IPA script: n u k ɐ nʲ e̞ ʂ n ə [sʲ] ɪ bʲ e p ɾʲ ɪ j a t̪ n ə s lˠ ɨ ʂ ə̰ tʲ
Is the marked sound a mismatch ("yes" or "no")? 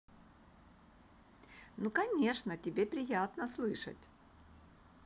yes